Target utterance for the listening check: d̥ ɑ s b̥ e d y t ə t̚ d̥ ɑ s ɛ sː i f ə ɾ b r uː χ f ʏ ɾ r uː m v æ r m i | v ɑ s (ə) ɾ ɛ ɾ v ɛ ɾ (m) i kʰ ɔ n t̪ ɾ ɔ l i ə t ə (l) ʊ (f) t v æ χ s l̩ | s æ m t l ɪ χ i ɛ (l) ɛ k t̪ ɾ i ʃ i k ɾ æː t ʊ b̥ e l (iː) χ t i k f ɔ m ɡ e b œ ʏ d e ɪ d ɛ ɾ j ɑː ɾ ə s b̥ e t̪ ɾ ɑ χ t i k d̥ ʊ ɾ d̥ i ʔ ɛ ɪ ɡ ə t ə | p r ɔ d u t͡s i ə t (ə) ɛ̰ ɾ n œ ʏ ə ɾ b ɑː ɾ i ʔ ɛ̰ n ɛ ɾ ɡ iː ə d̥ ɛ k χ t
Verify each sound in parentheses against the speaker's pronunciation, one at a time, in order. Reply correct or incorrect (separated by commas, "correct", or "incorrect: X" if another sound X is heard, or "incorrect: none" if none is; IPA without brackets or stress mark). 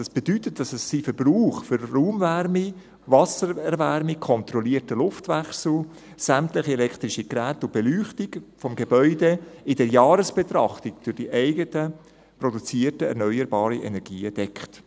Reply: correct, correct, correct, correct, correct, incorrect: yː, correct